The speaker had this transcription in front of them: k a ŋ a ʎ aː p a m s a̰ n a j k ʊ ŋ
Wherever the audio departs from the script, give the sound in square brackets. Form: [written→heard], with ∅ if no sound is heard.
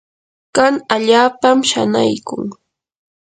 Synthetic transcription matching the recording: k a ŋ a ʎ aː p a m [s→ʃ] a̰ n a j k ʊ ŋ